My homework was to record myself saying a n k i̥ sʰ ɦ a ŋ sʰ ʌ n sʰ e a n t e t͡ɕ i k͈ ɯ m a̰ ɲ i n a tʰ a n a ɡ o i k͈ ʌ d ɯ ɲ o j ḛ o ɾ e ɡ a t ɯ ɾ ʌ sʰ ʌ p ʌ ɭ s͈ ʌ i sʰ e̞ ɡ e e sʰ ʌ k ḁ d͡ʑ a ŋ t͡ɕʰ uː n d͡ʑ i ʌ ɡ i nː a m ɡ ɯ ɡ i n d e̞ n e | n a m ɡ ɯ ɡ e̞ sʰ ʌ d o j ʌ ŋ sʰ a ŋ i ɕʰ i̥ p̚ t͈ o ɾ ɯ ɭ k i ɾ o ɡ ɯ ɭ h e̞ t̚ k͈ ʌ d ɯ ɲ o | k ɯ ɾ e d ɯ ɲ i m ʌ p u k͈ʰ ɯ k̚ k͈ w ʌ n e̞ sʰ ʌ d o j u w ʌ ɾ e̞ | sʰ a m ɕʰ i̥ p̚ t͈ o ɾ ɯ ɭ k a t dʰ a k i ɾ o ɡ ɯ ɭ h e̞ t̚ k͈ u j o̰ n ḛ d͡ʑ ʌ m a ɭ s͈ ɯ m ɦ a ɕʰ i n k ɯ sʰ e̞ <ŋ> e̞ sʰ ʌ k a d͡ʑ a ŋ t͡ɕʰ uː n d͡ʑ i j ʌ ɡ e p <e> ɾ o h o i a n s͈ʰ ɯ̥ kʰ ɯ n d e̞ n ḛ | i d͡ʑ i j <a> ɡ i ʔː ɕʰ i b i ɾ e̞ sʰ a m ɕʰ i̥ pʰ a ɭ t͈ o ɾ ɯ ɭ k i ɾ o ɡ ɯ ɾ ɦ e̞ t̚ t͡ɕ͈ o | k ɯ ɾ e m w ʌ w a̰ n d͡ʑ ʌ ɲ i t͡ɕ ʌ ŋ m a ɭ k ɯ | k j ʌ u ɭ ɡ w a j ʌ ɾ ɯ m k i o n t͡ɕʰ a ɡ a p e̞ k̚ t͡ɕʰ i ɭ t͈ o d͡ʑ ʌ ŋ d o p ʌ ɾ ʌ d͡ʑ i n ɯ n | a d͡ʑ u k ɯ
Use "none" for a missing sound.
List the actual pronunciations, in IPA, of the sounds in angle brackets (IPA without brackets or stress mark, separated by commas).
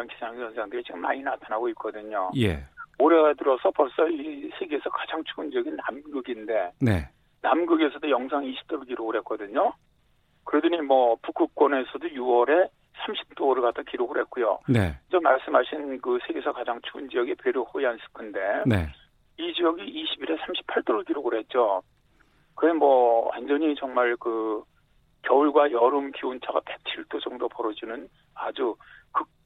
ɡ, e, ʌ